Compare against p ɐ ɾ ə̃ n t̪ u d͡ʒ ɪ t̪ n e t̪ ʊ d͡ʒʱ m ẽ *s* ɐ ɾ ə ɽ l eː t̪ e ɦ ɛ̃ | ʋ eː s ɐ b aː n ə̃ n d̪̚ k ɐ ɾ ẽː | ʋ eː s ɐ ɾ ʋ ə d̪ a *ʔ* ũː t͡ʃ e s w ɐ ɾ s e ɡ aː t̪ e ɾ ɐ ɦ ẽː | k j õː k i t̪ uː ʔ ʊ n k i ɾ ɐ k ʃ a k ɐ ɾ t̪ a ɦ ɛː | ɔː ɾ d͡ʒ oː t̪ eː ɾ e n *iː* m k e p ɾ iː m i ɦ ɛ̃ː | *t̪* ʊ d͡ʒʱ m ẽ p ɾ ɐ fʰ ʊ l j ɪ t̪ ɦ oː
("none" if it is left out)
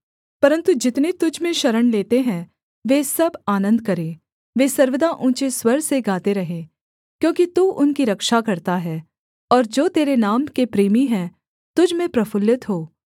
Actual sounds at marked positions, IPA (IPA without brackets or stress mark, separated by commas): ʃ, ʔ, aː, t̪